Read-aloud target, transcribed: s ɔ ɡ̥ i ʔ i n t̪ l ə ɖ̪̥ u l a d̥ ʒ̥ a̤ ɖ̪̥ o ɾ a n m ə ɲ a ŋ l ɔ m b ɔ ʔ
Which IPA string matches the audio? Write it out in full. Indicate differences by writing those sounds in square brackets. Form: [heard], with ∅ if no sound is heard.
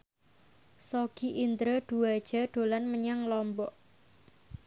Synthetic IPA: s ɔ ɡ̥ i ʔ i n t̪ [ɾ] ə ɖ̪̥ u [∅] a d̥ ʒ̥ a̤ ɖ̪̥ o [l] a n m ə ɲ a ŋ l ɔ m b ɔ ʔ